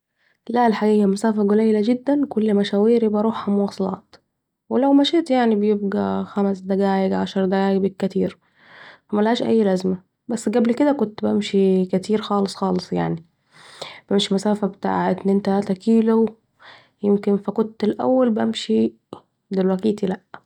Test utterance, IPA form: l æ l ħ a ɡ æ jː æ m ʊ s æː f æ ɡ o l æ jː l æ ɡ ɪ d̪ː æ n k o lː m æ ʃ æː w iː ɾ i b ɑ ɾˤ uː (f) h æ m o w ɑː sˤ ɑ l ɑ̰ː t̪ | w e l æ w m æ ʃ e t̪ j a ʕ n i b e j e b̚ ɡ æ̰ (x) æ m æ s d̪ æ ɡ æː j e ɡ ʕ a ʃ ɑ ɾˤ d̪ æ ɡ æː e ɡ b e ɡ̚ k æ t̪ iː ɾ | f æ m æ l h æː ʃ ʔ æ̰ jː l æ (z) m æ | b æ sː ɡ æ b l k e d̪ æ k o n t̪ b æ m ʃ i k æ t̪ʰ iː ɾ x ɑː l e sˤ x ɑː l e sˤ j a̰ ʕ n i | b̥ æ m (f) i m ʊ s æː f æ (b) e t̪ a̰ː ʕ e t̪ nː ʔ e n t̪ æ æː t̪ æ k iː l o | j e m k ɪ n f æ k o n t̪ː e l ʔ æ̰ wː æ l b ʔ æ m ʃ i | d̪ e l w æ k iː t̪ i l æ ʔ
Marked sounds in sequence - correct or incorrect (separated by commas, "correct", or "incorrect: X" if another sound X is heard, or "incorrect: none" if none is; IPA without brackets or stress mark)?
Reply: incorrect: ħ, correct, correct, incorrect: ʃ, correct